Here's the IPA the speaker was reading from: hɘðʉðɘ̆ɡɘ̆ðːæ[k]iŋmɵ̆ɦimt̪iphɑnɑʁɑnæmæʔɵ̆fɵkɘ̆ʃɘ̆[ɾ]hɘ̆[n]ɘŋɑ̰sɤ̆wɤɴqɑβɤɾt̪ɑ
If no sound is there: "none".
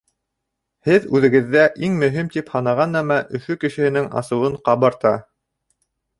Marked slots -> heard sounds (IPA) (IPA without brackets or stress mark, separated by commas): ʔ, none, n